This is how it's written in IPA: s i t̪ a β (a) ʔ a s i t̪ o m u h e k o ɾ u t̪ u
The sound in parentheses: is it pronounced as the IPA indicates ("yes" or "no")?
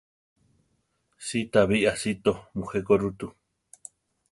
no